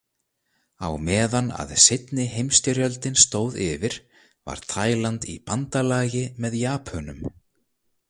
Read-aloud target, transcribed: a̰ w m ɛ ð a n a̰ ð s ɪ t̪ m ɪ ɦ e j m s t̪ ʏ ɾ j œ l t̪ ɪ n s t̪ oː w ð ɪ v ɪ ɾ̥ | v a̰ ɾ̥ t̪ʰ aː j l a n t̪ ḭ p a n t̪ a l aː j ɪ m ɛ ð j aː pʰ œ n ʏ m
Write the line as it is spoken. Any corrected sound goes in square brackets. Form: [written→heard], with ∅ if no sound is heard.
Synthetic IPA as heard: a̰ w m [ɛ→ɛː] ð a n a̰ ð s ɪ t̪ [m→n] ɪ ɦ e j m s t̪ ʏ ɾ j œ l t̪ ɪ n s t̪ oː w ð ɪ v ɪ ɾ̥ | v a̰ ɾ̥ t̪ʰ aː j l a n t̪ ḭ p a n t̪ a l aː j ɪ m ɛ ð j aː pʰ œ n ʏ m